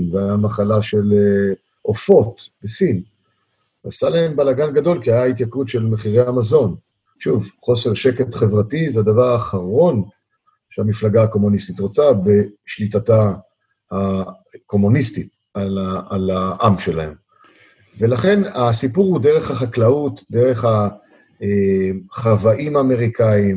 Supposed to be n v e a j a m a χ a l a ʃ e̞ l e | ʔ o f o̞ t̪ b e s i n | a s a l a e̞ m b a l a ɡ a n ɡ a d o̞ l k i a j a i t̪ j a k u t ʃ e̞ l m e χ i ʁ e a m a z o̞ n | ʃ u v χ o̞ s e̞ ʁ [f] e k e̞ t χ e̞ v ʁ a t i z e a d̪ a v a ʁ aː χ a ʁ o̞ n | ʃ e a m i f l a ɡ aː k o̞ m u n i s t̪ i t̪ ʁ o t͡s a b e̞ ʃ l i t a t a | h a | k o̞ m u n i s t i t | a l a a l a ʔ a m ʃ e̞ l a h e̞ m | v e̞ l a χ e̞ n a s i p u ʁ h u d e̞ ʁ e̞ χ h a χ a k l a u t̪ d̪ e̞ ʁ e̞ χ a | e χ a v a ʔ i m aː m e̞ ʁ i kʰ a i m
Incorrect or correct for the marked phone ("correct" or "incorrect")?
incorrect